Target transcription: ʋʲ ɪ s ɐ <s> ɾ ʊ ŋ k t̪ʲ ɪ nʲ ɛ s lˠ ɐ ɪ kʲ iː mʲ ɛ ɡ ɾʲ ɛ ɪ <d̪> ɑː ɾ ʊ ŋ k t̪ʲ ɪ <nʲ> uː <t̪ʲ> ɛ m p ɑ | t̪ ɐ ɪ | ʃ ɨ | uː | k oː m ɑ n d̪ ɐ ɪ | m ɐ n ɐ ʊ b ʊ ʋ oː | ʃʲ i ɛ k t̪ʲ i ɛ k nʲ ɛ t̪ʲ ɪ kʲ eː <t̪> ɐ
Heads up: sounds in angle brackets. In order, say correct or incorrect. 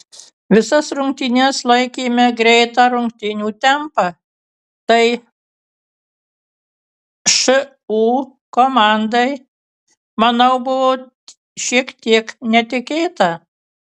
correct, incorrect: t̪, correct, correct, correct

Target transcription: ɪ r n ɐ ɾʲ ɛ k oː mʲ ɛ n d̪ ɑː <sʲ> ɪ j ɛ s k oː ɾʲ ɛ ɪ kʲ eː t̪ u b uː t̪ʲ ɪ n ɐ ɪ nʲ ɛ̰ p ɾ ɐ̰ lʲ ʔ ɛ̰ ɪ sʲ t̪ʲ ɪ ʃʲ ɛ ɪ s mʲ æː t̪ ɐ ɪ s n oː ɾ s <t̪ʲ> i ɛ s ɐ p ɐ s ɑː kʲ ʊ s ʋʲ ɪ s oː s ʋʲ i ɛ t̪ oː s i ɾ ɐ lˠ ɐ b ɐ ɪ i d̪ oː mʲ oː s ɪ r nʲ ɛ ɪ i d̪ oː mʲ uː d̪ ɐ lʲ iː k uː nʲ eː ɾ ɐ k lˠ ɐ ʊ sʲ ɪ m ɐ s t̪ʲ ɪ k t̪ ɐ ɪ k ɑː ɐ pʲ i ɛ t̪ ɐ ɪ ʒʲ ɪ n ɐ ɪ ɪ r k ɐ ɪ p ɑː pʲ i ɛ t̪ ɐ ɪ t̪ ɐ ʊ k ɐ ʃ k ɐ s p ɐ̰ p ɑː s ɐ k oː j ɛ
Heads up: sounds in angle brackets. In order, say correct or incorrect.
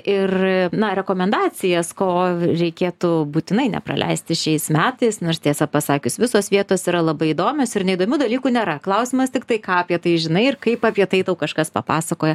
incorrect: t͡sʲ, correct

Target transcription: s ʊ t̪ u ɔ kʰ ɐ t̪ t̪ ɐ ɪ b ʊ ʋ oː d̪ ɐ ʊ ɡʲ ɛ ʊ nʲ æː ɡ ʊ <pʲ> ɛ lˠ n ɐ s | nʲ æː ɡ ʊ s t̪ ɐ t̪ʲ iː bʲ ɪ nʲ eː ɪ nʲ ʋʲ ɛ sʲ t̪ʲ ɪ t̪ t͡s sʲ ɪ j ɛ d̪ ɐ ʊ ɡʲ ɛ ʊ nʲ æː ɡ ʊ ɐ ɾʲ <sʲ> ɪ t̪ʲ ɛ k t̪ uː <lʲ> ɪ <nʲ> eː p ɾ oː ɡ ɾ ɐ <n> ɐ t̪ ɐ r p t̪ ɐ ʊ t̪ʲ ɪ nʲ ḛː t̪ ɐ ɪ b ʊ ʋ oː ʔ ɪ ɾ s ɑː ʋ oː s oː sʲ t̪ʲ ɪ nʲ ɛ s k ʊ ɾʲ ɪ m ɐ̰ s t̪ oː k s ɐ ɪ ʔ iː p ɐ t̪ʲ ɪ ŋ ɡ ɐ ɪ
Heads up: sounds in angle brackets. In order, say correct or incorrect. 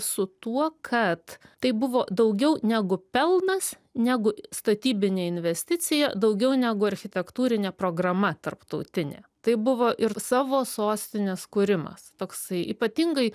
correct, incorrect: xʲ, incorrect: ɾʲ, correct, incorrect: m

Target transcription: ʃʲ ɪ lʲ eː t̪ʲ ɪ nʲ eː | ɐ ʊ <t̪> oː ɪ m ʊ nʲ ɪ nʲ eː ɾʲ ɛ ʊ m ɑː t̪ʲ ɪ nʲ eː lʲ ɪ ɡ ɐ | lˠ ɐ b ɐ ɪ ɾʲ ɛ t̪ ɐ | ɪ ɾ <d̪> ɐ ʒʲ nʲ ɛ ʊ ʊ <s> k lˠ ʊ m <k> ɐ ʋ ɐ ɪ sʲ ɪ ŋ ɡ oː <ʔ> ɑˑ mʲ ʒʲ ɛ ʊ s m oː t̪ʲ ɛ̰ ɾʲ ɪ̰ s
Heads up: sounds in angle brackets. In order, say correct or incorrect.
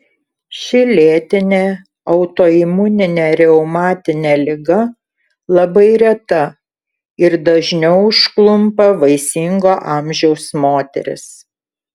correct, correct, incorrect: ʃ, incorrect: p, correct

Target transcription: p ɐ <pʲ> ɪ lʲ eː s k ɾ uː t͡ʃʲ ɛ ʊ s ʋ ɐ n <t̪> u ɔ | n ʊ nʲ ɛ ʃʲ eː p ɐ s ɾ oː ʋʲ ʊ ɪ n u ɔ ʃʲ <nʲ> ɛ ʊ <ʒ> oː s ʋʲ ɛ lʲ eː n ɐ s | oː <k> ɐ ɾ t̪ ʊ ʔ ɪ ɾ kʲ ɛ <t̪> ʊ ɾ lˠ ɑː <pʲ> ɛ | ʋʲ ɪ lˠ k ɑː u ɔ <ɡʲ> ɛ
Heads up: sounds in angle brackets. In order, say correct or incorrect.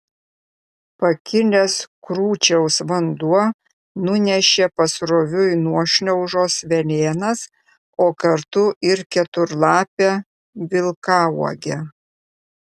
incorrect: kʲ, incorrect: d̪, correct, correct, correct, correct, correct, correct

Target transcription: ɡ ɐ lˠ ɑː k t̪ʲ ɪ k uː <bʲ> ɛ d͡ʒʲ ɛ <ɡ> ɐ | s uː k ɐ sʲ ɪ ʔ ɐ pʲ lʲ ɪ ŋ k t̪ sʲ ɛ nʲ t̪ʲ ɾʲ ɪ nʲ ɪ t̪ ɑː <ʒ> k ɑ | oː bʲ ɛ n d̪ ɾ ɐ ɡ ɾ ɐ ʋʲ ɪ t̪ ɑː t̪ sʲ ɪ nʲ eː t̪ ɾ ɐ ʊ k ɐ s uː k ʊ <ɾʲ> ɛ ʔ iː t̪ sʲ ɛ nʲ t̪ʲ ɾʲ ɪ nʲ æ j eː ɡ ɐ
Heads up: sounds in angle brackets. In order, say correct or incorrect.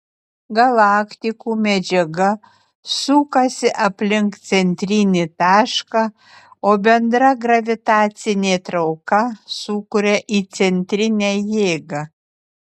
incorrect: mʲ, correct, incorrect: ʃ, correct

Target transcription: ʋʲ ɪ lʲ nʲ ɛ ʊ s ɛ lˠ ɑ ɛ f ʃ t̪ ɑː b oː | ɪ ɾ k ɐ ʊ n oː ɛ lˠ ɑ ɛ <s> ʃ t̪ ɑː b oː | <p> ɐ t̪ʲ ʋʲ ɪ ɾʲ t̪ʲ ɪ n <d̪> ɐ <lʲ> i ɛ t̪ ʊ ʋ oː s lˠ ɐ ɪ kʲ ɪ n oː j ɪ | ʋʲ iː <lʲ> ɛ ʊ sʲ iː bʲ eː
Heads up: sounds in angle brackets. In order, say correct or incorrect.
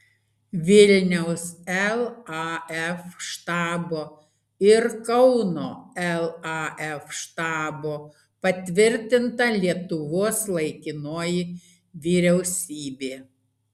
incorrect: f, correct, incorrect: t̪, correct, incorrect: ɾʲ

